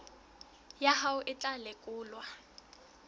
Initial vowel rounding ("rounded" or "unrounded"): unrounded